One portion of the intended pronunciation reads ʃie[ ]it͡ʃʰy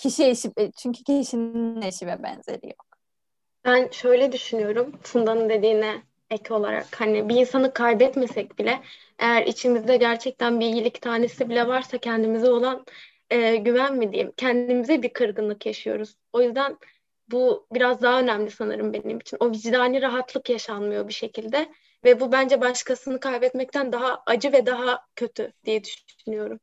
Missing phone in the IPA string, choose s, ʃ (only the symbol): ʃ